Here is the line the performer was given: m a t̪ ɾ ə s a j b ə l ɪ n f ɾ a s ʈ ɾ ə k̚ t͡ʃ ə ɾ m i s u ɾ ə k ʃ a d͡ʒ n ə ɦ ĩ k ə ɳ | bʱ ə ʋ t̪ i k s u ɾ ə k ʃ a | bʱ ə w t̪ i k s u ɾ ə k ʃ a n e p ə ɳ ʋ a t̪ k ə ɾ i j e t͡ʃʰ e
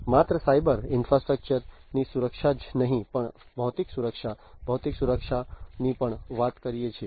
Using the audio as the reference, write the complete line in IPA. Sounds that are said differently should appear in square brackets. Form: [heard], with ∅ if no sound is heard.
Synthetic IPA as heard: m a t̪ ɾ ə s a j b ə [ɾ] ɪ n f ɾ a s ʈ ɾ ə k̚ t͡ʃ ə ɾ [n] i s u ɾ ə k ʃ a d͡ʒ n ə ɦ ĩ [p] ə ɳ | bʱ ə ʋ t̪ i k s u ɾ ə k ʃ a | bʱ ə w t̪ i k s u ɾ ə k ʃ a n [i] p ə ɳ ʋ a t̪ k ə ɾ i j e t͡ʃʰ e

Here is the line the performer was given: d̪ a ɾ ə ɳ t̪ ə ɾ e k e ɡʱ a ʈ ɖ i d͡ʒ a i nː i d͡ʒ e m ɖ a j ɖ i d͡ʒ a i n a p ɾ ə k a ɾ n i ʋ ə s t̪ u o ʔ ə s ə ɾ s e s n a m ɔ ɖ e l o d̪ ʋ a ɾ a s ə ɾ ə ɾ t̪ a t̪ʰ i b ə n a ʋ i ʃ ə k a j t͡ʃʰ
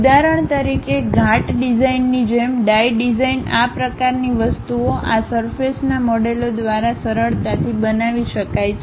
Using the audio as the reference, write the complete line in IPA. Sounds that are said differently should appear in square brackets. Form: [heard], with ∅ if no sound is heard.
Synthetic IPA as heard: d̪ a ɾ ə ɳ t̪ ə ɾ [i] k e ɡʱ a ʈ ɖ i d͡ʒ a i nː i d͡ʒ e m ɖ a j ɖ i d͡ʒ a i n a p ɾ ə k a ɾ n i ʋ ə s t̪ u o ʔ [a] s ə ɾ [f] e s n a m ɔ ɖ e l o d̪ ʋ a ɾ a s ə ɾ ə [ɭ] t̪ a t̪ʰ i b ə n a ʋ i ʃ ə k a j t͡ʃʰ

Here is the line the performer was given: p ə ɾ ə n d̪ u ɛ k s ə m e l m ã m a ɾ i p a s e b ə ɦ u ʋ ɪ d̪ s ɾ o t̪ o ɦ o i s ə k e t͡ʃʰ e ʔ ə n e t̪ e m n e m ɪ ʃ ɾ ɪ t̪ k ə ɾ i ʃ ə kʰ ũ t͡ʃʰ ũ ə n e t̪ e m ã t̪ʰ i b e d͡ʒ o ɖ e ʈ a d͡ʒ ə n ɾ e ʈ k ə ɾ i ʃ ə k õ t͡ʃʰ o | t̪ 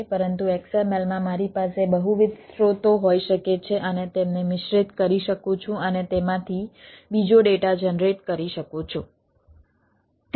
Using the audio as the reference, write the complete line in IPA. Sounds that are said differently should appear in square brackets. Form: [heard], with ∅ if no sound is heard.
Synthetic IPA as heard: p ə ɾ ə n [t̪] u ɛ k s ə m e l m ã m a ɾ i p a s e b ə ɦ u ʋ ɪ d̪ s ɾ o t̪ o ɦ o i [ʃ] ə k e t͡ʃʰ e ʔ ə n e t̪ e m n e m ɪ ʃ ɾ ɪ t̪ k ə ɾ i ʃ ə [k] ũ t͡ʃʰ ũ ə n e t̪ e m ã t̪ʰ i b [i] d͡ʒ o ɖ e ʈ a d͡ʒ ə n ɾ e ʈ k ə ɾ i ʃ ə k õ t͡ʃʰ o | t̪

